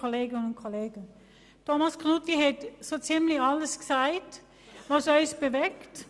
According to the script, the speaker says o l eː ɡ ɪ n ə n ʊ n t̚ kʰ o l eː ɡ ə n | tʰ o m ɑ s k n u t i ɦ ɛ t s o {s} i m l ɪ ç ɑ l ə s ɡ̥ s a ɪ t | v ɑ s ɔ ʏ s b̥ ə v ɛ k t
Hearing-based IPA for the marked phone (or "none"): t͡s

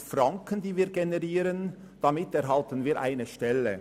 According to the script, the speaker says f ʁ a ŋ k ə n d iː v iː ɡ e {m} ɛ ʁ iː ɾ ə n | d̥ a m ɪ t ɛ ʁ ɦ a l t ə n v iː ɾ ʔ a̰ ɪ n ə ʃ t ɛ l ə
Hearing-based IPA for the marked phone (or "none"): n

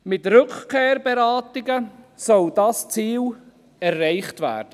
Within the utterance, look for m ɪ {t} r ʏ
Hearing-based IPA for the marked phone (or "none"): t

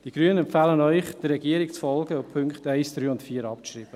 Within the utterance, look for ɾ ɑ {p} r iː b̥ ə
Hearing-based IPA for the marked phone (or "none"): p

